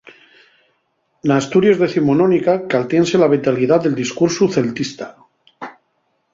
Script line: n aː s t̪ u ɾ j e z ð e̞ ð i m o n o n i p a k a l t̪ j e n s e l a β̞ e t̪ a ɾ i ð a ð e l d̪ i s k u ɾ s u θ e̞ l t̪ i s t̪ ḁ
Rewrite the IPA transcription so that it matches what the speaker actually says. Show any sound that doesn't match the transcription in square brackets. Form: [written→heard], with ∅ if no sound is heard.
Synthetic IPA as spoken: n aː s t̪ u ɾ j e z ð e̞ [ð→θ] i m o n o n i [p→k] a k a l t̪ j e n s e l a β̞ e t̪ a [ɾ→l] i ð a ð e l d̪ i s k u ɾ s u θ e̞ l t̪ i s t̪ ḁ